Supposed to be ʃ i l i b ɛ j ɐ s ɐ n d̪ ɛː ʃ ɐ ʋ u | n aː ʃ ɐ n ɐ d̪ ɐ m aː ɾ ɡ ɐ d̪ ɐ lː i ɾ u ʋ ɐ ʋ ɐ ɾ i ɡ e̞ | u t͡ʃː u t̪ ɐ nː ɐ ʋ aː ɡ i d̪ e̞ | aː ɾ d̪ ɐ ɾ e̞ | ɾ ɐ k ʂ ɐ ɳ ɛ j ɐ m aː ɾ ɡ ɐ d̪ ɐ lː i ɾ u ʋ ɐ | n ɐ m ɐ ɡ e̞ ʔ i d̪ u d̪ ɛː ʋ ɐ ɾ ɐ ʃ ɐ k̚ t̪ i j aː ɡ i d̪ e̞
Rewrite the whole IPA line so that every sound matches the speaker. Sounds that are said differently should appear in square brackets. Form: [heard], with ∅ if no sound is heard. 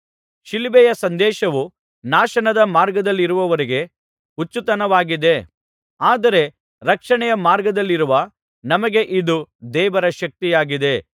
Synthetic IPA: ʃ i l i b ɛ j ɐ s ɐ n d̪ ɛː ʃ ɐ ʋ u | n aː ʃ ɐ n ɐ d̪ ɐ m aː ɾ ɡ ɐ d̪ ɐ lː i ɾ u ʋ ɐ ʋ ɐ ɾ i ɡ e̞ | u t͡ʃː u t̪ ɐ [n] ɐ ʋ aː ɡ i d̪ e̞ | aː [∅] d̪ ɐ ɾ e̞ | ɾ ɐ k ʂ ɐ ɳ ɛ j ɐ m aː ɾ ɡ ɐ d̪ ɐ lː i ɾ u ʋ ɐ | n ɐ m ɐ ɡ e̞ ʔ i d̪ u d̪ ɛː ʋ ɐ ɾ ɐ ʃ ɐ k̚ t̪ i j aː ɡ i d̪ e̞

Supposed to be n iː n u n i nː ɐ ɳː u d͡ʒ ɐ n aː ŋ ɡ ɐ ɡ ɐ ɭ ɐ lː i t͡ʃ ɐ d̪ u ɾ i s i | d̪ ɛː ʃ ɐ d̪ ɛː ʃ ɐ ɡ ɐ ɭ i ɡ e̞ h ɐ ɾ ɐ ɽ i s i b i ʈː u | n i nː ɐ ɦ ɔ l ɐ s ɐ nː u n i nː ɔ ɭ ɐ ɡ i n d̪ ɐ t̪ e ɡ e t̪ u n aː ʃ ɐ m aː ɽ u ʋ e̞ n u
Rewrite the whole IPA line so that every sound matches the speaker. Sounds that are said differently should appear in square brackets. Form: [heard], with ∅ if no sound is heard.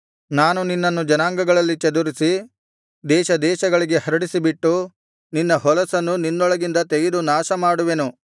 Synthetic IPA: n [aː] n u n i nː ɐ [nː] u d͡ʒ ɐ n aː ŋ ɡ ɐ ɡ ɐ ɭ ɐ lː i t͡ʃ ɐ d̪ u ɾ i s i | d̪ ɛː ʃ ɐ d̪ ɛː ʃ ɐ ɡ ɐ ɭ i ɡ e̞ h ɐ ɾ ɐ ɽ i s i b i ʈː u | n i nː ɐ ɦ ɔ l ɐ s ɐ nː u n i nː ɔ ɭ ɐ ɡ i n d̪ ɐ t̪ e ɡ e [d̪] u n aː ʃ ɐ m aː ɽ u ʋ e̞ n u

